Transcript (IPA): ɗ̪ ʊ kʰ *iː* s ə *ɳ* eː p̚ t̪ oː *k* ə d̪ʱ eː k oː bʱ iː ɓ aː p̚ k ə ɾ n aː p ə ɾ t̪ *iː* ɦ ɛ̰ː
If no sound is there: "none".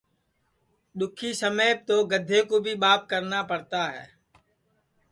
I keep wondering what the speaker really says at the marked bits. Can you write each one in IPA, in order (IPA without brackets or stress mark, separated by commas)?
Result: iː, m, ɡ, aː